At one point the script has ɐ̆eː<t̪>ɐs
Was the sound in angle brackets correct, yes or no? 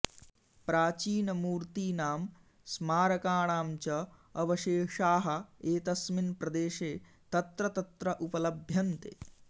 yes